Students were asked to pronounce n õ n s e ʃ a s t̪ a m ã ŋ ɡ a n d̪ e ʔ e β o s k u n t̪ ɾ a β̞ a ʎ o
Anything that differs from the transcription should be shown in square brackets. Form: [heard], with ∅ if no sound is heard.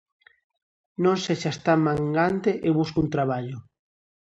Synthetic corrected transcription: n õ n s e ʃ a s t̪ a m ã ŋ ɡ a n [t̪] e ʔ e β [u] s k u n t̪ ɾ a β̞ a ʎ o